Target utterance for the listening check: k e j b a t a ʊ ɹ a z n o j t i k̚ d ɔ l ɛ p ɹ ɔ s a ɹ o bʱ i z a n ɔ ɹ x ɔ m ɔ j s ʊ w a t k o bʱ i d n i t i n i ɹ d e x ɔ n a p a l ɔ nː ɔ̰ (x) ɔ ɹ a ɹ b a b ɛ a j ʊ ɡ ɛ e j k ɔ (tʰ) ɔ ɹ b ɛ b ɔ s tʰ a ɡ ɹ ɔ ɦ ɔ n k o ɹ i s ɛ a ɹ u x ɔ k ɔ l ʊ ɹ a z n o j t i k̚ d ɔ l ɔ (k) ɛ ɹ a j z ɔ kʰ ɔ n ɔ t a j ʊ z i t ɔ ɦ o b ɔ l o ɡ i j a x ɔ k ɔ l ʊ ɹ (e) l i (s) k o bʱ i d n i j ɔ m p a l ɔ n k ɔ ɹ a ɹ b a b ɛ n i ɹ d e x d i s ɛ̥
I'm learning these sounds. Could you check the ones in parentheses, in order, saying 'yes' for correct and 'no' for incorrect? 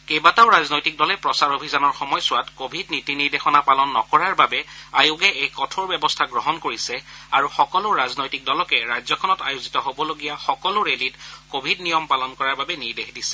no, yes, yes, yes, no

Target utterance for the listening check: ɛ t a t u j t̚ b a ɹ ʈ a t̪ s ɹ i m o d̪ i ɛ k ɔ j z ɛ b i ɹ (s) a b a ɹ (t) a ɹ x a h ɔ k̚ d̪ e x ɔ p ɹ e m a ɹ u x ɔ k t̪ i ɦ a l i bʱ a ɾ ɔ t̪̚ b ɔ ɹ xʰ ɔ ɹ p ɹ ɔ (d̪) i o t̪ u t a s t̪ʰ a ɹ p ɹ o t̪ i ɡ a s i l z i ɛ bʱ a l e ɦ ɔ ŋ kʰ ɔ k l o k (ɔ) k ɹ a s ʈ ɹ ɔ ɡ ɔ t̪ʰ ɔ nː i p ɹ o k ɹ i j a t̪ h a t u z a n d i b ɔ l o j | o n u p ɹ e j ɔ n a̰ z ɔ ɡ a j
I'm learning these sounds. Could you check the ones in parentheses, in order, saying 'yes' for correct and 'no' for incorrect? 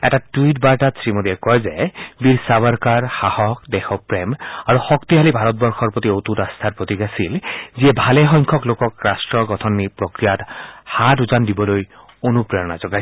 yes, no, no, yes

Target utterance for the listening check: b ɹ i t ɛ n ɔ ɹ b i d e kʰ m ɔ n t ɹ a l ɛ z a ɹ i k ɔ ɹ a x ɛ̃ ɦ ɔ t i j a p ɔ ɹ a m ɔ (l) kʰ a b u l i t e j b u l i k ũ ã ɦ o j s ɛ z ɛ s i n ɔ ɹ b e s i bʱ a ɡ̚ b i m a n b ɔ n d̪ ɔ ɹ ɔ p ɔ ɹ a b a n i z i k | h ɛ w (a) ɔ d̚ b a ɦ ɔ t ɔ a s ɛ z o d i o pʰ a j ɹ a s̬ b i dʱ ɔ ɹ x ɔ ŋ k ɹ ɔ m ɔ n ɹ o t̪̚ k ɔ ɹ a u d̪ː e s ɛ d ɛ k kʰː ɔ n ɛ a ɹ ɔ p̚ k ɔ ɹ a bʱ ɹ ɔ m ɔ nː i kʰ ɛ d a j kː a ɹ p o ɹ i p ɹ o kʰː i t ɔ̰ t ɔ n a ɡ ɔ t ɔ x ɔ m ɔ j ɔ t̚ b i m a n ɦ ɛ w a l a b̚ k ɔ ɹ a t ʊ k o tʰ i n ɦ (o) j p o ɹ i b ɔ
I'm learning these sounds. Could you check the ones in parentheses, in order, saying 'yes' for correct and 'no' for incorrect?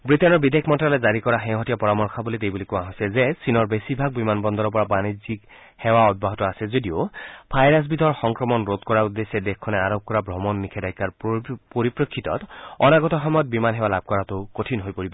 no, yes, yes

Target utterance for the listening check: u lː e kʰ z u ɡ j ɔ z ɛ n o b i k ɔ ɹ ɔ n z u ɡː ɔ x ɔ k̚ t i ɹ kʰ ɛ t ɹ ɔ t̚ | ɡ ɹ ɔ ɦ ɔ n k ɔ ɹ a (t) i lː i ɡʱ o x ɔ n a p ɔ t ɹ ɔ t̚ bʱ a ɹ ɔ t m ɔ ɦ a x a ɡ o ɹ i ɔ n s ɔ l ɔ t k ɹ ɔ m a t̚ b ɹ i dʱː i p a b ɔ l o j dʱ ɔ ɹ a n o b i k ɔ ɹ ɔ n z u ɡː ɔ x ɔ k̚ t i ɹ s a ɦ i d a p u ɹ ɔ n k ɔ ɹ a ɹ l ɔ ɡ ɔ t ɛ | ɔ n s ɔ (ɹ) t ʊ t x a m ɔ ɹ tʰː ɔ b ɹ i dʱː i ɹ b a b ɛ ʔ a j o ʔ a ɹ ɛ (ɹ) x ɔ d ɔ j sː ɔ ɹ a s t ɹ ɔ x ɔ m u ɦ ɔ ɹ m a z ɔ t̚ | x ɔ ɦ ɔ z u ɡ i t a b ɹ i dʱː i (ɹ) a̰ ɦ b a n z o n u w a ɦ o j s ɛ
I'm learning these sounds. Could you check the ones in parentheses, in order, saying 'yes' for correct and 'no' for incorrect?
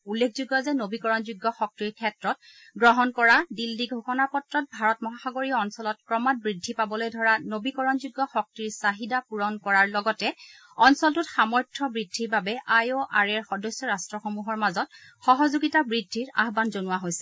no, no, yes, yes

